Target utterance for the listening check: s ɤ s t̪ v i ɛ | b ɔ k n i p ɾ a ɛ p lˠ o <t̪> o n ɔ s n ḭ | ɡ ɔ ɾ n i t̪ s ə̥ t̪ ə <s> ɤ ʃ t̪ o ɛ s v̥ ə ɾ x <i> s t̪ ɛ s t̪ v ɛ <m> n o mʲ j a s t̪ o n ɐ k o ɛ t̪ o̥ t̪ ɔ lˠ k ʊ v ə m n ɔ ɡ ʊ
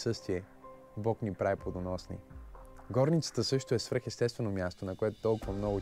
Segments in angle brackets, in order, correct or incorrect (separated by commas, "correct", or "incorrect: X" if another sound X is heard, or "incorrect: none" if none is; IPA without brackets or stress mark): incorrect: d̪, correct, incorrect: ɛ, incorrect: none